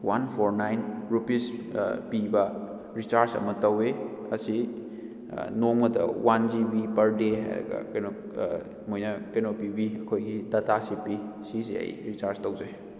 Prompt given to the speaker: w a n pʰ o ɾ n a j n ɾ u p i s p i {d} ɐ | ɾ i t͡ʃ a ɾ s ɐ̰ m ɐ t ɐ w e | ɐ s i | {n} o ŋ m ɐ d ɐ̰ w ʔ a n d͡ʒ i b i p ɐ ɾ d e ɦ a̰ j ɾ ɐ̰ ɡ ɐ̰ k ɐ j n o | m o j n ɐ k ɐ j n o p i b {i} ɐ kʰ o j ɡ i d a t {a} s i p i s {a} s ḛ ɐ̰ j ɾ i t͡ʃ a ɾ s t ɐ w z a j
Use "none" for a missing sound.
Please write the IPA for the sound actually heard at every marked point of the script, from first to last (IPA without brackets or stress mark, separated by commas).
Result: b, n, i, a, i